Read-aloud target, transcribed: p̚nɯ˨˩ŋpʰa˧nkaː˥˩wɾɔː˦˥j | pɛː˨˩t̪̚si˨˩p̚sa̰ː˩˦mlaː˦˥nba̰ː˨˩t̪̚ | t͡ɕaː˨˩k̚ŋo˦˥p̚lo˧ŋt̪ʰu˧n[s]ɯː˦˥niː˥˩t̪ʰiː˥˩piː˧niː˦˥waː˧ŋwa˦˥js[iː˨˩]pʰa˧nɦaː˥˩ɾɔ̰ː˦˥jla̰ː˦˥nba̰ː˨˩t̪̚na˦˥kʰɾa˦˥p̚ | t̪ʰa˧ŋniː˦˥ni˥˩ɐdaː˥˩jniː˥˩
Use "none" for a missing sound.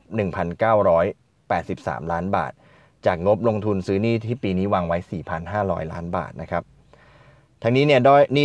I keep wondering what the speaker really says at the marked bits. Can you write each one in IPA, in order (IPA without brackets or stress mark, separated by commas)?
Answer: s, iː˨˩